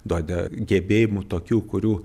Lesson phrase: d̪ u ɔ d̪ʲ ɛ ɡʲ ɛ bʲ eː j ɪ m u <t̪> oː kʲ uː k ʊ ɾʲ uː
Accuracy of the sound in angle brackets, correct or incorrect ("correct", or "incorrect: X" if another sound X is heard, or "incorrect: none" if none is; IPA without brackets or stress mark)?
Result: correct